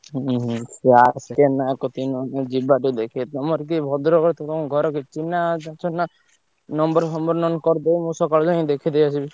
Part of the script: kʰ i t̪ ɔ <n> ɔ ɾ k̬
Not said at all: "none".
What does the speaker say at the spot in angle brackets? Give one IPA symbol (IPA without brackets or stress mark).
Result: m